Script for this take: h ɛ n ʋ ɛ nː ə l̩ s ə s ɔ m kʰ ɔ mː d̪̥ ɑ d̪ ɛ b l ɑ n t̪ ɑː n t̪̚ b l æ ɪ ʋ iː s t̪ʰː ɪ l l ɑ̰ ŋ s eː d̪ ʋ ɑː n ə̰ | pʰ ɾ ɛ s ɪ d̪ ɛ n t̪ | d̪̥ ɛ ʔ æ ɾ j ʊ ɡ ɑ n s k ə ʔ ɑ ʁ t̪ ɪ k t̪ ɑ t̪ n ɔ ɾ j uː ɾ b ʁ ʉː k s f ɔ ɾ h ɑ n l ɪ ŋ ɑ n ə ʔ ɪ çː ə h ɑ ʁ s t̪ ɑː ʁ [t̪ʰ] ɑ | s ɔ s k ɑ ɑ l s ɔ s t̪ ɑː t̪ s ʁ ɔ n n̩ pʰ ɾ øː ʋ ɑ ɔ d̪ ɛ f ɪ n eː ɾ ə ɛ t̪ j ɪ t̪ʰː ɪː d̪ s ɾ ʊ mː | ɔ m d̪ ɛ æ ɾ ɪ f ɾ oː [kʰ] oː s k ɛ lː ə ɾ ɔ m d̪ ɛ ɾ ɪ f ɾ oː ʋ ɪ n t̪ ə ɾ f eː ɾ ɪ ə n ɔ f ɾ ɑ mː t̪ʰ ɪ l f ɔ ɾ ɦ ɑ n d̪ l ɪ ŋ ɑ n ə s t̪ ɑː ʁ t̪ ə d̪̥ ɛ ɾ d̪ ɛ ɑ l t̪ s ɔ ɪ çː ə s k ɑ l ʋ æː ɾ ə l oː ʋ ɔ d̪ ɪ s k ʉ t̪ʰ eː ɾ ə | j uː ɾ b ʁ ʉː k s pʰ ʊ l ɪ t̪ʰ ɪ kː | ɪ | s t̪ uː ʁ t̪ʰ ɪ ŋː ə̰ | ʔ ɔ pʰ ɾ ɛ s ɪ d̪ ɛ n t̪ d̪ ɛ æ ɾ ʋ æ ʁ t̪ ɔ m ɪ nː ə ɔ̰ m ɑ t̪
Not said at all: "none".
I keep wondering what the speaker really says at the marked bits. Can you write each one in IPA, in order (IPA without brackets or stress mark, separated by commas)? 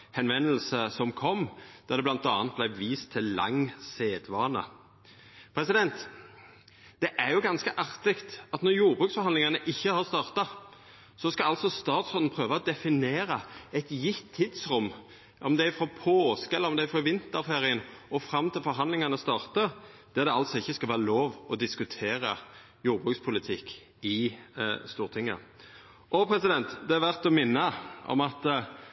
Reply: t̪, pʰ